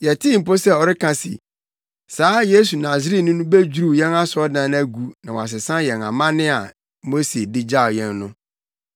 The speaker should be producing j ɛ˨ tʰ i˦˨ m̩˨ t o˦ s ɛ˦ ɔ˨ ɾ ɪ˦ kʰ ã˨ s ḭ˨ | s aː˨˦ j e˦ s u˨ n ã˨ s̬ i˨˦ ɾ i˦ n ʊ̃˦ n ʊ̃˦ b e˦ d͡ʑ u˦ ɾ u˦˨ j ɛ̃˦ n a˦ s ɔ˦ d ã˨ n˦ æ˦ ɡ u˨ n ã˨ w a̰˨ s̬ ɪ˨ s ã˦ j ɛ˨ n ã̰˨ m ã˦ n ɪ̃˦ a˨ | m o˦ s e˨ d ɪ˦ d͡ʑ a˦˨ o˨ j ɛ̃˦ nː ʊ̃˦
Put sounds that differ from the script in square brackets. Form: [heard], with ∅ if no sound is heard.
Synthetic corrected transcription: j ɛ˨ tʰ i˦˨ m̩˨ [p] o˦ s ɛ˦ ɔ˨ ɾ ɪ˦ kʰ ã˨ s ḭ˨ | s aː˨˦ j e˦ s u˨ n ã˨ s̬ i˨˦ ɾ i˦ n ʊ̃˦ n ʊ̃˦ b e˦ d͡ʑ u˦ ɾ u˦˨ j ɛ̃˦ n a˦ s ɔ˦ d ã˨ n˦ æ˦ ɡ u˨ n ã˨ w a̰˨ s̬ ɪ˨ s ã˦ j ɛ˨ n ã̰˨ m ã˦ n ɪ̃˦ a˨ | m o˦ s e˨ d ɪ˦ d͡ʑ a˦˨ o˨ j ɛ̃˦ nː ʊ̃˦

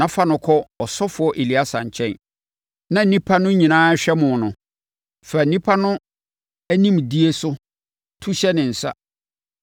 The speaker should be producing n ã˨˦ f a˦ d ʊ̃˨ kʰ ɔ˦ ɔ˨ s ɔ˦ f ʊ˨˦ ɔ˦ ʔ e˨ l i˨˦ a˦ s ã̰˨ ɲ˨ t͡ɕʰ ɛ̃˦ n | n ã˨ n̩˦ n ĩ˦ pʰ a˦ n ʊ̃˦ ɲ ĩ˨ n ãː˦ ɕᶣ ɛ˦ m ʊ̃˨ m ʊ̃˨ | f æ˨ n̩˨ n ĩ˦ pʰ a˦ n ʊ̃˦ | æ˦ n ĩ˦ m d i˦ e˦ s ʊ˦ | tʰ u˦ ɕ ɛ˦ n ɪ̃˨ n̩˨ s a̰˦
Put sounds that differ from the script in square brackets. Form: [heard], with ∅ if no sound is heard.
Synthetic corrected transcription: n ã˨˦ f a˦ [n] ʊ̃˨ kʰ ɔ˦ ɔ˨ s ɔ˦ f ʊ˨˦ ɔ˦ ʔ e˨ l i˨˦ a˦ s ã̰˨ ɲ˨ t͡ɕʰ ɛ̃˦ n | n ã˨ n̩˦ n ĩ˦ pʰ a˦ n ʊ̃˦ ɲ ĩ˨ n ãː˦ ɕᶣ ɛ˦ m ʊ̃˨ [n] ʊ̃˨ | f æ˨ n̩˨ n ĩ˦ pʰ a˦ n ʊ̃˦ | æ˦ n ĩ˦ m d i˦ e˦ s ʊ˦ | tʰ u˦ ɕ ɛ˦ n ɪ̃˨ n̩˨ s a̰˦

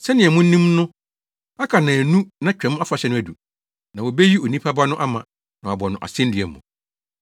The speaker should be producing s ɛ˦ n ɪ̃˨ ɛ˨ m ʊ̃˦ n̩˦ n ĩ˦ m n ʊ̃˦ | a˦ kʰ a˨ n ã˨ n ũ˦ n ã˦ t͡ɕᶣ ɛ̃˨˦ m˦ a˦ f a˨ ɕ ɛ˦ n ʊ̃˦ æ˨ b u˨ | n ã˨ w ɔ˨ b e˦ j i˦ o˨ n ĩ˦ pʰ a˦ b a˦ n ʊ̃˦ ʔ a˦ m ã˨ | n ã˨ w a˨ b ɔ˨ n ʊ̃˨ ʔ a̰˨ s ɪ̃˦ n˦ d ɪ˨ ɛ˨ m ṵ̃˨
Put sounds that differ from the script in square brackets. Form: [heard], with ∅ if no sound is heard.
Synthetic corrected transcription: s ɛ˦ n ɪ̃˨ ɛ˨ m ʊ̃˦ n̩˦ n ĩ˦ m n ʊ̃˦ | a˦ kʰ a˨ n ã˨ n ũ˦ n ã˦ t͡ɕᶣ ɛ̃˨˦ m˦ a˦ f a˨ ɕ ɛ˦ n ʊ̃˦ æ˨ [d] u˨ | n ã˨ w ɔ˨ b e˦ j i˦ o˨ n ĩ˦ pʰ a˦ b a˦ n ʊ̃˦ ʔ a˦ m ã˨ | n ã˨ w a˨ b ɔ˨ n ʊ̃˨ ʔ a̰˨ s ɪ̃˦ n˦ d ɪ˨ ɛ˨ m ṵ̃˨

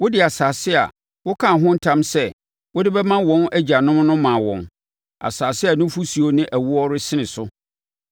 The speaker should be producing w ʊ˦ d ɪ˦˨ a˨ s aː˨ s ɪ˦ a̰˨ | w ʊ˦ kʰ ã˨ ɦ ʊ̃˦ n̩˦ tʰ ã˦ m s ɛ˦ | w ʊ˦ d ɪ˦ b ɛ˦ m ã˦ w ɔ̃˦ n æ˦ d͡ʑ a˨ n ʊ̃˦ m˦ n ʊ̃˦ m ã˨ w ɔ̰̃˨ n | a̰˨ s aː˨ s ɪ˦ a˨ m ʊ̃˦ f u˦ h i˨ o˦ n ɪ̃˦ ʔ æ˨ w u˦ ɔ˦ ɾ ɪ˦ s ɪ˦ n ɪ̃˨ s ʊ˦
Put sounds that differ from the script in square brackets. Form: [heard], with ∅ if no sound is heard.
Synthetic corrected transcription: w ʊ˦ d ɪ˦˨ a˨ s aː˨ s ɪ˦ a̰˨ | w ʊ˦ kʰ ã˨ ɦ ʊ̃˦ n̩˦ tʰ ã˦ m s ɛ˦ | w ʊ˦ d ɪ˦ b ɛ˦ m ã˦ w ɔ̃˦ n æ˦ d͡ʑ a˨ n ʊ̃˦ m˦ n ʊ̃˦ m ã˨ w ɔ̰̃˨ n | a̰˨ s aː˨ s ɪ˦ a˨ [n] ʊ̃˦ f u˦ [s] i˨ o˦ n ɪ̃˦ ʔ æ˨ w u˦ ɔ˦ ɾ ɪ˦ s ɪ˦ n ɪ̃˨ s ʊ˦

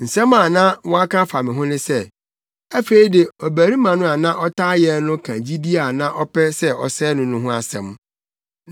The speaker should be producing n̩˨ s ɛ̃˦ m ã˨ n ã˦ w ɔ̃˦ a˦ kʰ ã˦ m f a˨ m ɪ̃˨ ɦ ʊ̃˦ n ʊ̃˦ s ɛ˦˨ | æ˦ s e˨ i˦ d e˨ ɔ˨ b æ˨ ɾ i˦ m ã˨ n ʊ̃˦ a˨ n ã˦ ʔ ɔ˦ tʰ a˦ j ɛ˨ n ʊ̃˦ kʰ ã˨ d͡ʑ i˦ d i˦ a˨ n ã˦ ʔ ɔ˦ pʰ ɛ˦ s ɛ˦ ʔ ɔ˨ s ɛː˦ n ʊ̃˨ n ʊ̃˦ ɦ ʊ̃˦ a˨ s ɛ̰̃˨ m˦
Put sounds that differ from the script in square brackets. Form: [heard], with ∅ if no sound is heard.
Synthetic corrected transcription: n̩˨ s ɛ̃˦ m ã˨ n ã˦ w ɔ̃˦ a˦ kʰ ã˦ [∅] f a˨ m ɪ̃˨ ɦ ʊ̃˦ n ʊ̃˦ s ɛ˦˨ | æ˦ [f] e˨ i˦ d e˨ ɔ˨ b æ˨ ɾ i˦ m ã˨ n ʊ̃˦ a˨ n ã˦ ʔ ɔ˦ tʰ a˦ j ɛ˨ n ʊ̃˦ kʰ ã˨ d͡ʑ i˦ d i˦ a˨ n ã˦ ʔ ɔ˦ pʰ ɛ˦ s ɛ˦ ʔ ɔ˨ s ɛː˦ n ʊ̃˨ n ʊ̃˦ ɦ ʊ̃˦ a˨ s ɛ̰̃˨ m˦

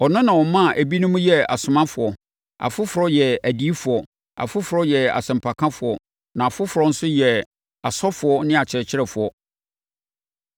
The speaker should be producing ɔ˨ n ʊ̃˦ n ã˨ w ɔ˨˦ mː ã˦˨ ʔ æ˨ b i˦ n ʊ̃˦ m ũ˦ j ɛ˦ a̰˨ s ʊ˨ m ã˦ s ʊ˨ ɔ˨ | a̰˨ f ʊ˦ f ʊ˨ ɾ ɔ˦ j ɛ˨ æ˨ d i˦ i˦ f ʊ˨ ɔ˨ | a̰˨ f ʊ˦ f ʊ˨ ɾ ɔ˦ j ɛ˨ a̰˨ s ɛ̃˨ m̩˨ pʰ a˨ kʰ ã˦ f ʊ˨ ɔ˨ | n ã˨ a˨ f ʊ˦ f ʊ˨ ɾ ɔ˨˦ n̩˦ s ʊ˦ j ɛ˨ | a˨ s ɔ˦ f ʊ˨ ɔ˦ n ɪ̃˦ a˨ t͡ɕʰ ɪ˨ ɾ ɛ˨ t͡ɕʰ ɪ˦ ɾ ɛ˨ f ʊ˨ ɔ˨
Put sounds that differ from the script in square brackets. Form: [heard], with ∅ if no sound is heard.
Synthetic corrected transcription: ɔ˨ n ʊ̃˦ n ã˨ w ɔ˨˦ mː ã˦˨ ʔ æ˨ b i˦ n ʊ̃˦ m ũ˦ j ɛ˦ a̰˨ s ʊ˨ m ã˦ [f] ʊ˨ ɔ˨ | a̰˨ f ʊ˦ f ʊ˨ ɾ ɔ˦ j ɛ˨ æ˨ d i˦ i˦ f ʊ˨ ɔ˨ | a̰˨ f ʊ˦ f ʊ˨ ɾ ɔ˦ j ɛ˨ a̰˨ s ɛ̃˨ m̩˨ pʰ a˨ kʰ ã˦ f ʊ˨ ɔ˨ | n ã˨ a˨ f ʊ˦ f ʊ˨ ɾ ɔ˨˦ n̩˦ s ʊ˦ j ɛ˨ | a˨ s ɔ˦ f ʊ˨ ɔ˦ n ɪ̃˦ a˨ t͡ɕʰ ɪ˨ ɾ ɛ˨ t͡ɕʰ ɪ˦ ɾ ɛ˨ f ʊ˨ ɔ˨

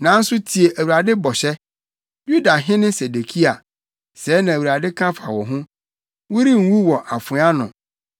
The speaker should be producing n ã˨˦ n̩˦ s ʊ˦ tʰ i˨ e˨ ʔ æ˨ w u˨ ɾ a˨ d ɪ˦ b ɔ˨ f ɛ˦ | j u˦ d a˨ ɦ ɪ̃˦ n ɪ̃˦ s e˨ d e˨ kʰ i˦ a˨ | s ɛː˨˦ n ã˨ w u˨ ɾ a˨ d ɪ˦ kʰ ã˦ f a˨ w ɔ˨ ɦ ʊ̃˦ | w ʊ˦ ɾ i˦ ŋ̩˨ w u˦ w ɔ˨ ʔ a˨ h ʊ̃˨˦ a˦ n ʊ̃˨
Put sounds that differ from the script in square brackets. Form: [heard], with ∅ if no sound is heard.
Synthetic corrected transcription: n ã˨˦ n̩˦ s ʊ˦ tʰ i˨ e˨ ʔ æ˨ w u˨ ɾ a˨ d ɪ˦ b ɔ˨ [ɕ] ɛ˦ | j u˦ d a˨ ɦ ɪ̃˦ n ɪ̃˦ s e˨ d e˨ kʰ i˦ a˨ | s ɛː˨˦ n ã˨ w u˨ ɾ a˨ d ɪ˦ kʰ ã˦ f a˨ w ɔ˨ ɦ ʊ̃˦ | w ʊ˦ ɾ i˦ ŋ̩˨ w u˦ w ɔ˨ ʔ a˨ [f] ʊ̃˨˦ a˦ n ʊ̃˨

